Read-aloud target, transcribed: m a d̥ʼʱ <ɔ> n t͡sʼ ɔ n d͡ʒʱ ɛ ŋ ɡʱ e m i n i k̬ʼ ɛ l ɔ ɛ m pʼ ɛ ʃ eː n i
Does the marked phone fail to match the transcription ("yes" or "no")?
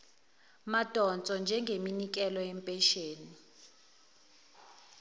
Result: no